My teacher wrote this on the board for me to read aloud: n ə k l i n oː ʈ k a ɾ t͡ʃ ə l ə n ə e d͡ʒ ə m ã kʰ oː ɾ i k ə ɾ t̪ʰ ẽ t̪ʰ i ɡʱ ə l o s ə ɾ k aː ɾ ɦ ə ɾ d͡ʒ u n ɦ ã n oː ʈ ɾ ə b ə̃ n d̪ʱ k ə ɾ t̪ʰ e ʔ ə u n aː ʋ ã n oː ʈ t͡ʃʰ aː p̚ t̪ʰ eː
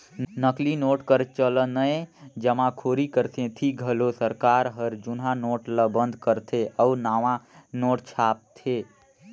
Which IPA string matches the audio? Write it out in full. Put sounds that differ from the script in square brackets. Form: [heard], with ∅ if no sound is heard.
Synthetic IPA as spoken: n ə k l i n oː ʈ k [ə] ɾ t͡ʃ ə l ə n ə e d͡ʒ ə m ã kʰ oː ɾ i k ə ɾ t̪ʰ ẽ t̪ʰ i ɡʱ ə l o s ə ɾ k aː ɾ ɦ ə ɾ d͡ʒ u n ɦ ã n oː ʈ [l] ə b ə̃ n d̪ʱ k ə ɾ t̪ʰ e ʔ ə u n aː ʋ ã n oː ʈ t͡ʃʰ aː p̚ t̪ʰ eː